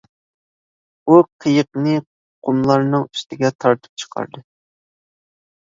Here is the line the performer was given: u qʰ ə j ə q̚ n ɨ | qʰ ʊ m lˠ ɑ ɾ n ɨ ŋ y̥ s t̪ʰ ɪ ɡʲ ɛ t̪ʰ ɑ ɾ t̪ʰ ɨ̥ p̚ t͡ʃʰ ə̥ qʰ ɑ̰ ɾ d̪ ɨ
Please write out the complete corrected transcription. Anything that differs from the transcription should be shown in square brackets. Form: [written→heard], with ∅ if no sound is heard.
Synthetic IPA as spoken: u qʰ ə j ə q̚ n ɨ | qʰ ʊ m lˠ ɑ ɾ n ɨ ŋ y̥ s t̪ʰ ɪ ɡʲ ɛ t̪ʰ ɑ ɾ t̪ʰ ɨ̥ p̚ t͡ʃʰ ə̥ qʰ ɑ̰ ɾ d̪ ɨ